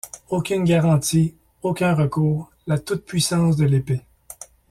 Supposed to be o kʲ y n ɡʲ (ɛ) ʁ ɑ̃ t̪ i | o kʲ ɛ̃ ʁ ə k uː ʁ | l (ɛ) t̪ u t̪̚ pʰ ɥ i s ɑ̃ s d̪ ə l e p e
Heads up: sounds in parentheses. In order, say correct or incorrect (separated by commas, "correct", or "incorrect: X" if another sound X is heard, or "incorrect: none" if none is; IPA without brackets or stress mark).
incorrect: a, incorrect: a